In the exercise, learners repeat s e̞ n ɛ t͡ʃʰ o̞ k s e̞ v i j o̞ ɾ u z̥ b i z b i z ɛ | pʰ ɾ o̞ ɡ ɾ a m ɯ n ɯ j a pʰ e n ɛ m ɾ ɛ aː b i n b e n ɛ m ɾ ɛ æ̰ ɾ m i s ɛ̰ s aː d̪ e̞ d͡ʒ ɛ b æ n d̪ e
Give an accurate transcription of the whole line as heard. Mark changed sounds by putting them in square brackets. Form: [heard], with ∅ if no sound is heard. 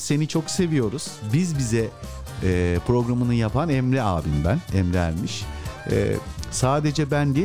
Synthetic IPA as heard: s e̞ n [i] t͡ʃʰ o̞ k s e̞ v i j o̞ ɾ u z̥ b i z b i z ɛ | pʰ ɾ o̞ ɡ ɾ a m ɯ n ɯ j a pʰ [a] n ɛ m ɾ ɛ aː b i n b [æ] n ɛ m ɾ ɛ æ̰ ɾ m i [ʃ] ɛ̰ s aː d̪ e̞ d͡ʒ ɛ b æ n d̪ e